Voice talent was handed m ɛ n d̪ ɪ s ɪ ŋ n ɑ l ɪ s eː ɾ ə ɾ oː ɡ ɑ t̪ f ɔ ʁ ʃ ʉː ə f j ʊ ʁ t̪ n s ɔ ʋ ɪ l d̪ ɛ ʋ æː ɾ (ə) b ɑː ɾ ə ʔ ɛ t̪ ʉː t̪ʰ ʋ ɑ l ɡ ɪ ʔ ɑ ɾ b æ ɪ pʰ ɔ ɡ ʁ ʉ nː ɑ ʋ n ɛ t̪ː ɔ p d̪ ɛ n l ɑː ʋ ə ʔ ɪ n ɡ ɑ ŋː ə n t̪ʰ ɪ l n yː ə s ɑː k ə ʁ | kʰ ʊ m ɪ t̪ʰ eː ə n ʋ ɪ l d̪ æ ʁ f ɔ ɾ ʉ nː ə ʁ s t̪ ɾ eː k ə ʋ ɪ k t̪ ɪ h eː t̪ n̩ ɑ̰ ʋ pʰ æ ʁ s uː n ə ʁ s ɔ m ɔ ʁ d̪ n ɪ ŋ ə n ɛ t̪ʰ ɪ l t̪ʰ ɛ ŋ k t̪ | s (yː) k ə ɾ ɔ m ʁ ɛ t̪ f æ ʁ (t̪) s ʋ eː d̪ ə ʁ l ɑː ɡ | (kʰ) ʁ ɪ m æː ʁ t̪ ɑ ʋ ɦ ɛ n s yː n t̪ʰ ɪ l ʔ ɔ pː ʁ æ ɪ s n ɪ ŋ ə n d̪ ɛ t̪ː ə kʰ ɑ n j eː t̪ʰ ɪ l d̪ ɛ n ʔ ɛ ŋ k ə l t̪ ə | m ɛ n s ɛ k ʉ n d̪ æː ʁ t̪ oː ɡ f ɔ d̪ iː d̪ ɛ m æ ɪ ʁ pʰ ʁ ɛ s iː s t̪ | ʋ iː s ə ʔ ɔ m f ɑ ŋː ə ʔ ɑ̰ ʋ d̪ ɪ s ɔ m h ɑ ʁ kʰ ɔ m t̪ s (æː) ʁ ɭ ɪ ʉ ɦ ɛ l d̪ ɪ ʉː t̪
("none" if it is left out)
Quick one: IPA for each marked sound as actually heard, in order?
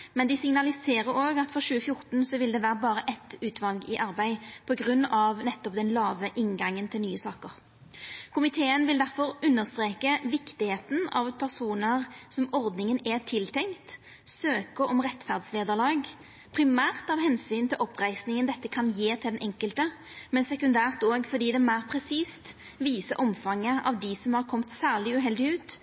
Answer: ə, øː, d̪, pʰ, æː

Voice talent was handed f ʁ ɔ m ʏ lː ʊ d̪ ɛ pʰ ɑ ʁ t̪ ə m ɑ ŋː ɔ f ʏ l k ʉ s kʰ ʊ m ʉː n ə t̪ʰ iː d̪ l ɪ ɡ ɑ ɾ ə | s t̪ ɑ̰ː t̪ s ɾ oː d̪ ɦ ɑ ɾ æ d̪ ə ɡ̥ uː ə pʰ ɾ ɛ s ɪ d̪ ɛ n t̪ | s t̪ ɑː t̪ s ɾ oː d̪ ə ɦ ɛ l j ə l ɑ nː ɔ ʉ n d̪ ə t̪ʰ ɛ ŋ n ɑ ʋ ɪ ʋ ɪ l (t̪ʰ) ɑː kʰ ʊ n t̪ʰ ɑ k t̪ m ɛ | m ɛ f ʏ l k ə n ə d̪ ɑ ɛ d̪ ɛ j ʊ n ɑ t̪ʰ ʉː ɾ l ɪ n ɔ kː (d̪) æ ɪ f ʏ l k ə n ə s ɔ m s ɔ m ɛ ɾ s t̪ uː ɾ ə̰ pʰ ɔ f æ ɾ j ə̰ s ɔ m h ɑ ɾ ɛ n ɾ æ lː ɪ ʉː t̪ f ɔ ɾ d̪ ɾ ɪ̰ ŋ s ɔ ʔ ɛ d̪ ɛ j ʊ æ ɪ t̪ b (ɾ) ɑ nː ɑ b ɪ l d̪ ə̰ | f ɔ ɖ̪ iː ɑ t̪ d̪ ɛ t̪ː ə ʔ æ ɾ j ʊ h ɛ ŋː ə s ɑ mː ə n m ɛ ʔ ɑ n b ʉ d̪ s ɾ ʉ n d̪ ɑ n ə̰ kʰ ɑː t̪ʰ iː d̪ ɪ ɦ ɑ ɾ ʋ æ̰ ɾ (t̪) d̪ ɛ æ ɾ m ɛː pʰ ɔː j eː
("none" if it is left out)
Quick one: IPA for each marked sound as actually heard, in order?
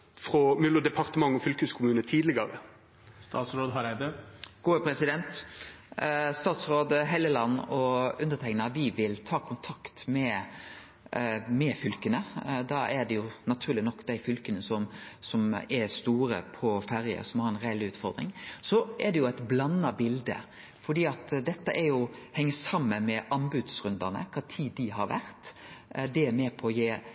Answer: t̪ʰ, d̪, l, t̪

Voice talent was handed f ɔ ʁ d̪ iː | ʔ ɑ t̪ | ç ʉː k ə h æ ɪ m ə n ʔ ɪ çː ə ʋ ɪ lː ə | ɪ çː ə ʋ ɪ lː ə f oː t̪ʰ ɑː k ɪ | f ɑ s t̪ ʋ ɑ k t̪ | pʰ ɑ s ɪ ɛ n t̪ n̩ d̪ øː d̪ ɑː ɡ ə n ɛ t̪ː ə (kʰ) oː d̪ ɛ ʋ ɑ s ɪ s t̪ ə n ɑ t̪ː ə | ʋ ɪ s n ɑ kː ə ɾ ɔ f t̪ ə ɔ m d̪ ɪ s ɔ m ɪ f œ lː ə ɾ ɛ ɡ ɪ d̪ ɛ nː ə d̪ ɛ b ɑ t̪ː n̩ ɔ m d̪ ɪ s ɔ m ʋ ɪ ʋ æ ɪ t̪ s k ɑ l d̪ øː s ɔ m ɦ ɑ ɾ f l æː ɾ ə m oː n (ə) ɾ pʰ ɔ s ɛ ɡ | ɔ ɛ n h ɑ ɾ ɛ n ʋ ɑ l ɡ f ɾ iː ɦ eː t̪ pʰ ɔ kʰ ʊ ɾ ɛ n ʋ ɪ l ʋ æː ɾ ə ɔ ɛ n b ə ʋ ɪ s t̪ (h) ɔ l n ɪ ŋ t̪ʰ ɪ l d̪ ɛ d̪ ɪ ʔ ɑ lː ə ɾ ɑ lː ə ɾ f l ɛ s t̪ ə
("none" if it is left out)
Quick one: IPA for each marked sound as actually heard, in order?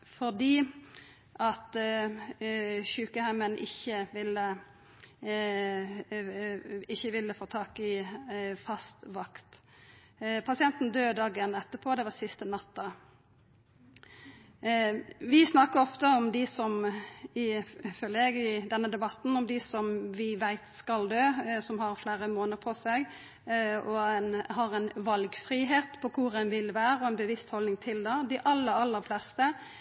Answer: pʰ, ə, h

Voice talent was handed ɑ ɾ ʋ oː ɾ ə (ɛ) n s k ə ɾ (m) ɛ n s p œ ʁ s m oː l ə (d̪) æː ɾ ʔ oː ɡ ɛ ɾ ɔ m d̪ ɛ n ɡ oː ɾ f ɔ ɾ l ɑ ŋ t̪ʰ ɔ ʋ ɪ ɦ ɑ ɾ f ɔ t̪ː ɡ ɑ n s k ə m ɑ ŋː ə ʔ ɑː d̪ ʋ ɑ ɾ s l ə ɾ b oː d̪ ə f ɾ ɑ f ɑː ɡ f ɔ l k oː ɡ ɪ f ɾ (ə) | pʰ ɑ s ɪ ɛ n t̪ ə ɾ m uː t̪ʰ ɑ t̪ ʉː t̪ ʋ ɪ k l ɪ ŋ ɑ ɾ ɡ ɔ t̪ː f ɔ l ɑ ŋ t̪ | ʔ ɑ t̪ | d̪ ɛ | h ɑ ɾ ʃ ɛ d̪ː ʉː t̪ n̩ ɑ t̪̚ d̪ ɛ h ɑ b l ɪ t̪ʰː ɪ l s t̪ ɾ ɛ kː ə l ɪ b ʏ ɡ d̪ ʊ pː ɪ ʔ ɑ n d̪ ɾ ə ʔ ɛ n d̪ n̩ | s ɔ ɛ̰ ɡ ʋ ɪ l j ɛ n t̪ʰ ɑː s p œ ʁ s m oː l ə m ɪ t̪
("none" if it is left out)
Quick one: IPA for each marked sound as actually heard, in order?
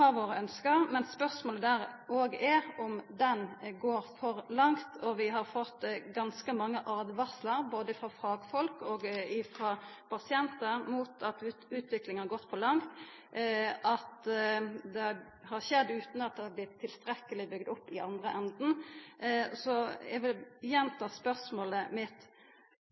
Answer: œ, m, d̪, ɑ

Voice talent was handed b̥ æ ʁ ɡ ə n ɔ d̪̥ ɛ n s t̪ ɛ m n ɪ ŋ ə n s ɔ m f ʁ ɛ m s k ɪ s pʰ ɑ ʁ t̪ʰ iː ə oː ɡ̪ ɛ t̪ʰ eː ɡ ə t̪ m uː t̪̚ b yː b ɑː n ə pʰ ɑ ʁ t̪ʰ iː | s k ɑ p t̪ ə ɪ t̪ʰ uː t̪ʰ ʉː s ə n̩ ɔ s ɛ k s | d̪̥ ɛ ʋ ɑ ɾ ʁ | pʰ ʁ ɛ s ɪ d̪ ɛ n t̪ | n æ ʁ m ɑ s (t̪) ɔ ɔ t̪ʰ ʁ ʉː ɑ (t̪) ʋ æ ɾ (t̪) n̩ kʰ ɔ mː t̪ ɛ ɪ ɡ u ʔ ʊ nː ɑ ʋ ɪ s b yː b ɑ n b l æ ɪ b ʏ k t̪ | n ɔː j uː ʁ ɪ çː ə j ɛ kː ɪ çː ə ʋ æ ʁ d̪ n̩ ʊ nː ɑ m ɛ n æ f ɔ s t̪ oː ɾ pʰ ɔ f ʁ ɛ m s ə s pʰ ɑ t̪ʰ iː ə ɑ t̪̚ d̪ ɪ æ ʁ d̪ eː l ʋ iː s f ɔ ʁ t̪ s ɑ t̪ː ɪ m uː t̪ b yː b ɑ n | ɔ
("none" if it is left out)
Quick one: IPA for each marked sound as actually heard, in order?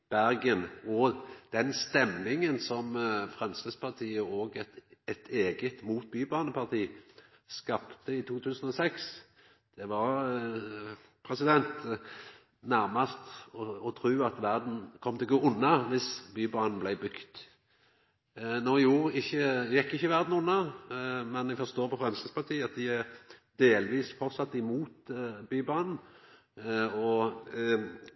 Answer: t̪, t̪, d̪

